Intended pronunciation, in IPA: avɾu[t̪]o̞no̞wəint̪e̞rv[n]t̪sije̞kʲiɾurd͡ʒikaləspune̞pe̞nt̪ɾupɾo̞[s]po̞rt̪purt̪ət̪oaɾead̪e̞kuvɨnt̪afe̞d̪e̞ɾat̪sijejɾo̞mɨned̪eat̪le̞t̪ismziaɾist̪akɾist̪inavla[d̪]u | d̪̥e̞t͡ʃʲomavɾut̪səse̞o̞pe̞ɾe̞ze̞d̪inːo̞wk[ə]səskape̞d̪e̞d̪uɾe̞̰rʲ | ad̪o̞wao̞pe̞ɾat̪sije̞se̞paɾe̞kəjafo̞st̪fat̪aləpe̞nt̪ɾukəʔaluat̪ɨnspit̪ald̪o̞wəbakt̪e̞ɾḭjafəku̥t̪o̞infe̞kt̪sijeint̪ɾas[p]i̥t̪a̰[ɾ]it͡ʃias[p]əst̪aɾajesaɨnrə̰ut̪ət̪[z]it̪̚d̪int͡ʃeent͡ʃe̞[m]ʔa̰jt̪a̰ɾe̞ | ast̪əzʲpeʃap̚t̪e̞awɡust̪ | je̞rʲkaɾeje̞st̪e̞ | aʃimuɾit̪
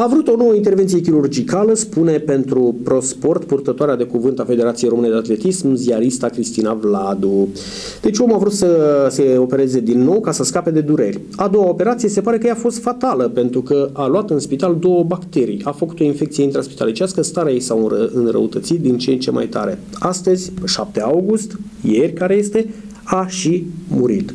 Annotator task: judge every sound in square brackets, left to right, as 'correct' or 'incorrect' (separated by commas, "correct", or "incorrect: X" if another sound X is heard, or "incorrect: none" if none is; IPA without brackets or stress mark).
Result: correct, correct, correct, correct, incorrect: a, correct, incorrect: l, incorrect: k, incorrect: s, correct